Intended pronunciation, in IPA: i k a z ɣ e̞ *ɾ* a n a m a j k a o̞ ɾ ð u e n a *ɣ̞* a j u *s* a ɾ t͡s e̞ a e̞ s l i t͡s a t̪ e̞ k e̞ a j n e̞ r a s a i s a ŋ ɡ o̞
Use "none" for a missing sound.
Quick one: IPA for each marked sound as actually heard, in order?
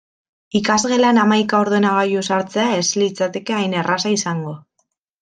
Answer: l, ɣ̞, s

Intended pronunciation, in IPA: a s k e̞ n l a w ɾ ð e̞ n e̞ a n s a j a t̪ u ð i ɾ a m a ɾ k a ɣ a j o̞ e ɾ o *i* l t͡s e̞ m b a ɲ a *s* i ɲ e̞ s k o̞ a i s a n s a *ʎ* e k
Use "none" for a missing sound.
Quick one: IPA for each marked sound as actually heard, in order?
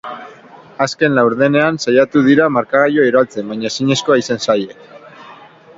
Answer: a, s, j

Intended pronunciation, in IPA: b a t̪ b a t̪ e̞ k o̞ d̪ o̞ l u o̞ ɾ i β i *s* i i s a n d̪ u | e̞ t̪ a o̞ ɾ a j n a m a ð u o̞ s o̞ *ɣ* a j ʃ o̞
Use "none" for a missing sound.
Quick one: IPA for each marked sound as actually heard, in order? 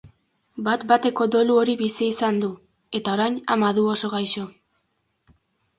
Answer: s, ɣ

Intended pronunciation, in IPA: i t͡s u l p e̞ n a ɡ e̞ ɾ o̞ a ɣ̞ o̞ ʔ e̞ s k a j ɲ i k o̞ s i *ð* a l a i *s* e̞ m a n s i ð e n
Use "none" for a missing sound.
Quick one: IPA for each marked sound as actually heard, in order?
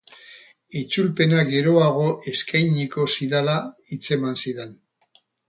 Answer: ð, t͡s

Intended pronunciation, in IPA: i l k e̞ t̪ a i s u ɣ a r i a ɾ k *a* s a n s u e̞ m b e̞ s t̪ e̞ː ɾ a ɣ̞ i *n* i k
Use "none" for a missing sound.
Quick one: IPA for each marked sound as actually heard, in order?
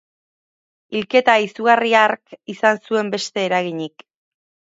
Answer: i, ɲ

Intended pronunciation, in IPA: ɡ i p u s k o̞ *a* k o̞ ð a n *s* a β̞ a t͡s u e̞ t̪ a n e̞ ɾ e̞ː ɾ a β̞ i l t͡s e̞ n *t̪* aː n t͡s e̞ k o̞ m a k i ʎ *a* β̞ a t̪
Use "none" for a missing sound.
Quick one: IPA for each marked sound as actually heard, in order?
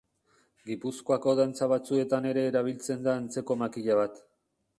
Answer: a, t͡s, d̪, a

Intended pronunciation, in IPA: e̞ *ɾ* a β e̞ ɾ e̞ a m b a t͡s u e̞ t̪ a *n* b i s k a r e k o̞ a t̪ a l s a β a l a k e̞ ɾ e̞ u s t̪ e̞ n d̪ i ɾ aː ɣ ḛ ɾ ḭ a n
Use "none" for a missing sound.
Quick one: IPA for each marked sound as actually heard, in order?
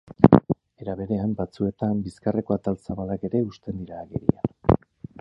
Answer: ɾ, m

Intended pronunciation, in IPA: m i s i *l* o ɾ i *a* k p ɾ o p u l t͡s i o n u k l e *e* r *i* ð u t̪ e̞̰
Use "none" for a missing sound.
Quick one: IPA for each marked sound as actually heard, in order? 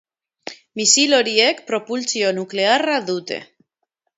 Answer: l, e, a, a

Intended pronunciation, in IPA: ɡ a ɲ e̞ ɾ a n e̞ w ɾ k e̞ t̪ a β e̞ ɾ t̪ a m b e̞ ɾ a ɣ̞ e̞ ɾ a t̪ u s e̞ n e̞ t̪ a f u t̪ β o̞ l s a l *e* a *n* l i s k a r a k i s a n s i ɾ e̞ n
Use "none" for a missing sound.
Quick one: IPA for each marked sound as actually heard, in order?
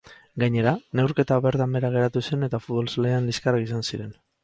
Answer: e, n

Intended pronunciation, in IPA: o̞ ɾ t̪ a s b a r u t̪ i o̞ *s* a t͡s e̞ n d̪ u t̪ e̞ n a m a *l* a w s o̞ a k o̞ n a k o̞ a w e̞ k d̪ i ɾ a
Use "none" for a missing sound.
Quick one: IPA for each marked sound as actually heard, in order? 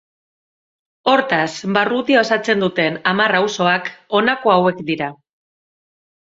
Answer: s, r

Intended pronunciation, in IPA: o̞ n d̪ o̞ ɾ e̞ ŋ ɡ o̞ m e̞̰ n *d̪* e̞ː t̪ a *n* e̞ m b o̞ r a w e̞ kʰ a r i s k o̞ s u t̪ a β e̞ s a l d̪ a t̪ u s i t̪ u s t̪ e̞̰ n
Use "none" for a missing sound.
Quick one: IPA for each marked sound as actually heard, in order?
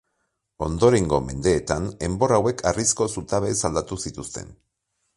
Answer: d̪, n

